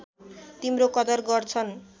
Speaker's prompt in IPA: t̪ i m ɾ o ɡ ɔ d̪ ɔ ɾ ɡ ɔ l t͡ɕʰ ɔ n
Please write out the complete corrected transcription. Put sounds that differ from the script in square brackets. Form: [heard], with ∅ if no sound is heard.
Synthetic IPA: t̪ i m ɾ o [k] ɔ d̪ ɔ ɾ ɡ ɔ [ɾ] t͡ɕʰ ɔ n